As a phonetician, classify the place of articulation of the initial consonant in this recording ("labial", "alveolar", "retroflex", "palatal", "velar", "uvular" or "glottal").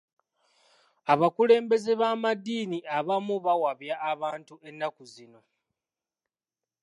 labial